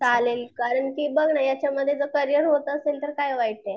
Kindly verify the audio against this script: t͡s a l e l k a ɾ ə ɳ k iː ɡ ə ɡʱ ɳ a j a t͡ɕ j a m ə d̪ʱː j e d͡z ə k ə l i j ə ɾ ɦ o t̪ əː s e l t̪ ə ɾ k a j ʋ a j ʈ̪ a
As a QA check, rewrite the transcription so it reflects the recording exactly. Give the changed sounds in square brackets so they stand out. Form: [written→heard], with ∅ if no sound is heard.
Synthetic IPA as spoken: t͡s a l e l k a ɾ ə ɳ k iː [ɡ→b] ə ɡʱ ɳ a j a t͡ɕ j a m ə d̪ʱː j e d͡z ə k ə [l→ɾ] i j ə ɾ ɦ o t̪ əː s e l t̪ ə ɾ k a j ʋ a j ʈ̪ [a→e]